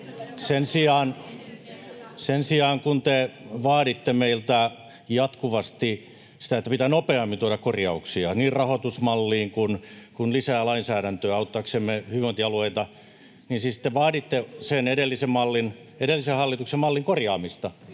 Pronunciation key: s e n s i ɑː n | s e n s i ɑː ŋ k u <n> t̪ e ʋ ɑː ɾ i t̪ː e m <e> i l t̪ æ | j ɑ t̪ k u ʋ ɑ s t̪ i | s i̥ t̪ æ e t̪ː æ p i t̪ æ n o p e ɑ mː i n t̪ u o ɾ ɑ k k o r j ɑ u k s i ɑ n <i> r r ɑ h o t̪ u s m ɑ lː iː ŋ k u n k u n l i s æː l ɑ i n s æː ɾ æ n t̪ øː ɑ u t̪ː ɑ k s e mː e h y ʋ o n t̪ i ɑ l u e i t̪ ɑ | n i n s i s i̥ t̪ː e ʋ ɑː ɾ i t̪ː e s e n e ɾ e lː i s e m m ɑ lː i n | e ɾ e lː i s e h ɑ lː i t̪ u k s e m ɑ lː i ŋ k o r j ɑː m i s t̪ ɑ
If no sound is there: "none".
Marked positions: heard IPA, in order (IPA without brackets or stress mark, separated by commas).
n, e, iː